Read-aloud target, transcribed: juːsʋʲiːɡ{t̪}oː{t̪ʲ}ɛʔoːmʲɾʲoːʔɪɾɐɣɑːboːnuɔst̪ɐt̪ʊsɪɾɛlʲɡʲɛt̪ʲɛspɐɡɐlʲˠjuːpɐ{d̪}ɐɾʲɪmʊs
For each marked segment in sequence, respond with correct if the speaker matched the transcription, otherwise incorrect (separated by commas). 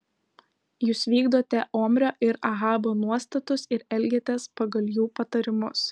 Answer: incorrect, correct, incorrect